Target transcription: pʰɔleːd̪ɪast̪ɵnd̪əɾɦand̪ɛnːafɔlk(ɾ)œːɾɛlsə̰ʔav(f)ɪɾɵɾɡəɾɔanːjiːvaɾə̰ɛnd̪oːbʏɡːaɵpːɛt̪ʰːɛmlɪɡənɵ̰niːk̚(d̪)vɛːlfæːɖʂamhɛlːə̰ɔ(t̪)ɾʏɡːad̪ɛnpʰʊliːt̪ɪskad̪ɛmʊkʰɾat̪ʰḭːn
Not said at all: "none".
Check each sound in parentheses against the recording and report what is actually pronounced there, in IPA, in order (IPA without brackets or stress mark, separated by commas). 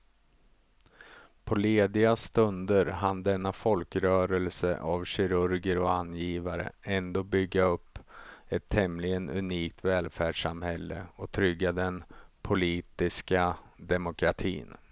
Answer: ɾ, ɕ, t̪, t̪ʰ